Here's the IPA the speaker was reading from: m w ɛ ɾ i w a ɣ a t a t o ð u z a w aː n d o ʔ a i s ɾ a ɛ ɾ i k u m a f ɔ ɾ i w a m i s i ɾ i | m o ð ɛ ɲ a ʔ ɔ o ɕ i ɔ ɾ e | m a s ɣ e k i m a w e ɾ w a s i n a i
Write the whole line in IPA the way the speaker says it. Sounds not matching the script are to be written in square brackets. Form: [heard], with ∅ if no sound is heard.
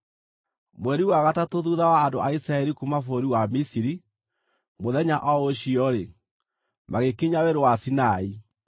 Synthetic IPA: m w ɛ ɾ i w a ɣ a t a t o ð u [ð] a w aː n d o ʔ a i s ɾ a ɛ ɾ i k u m a f [o] ɾ i w a m i s i ɾ i | m o ð ɛ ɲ a ʔ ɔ o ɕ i ɔ ɾ e | m a [∅] ɣ e k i [ɲ] a w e ɾ w a s i n a i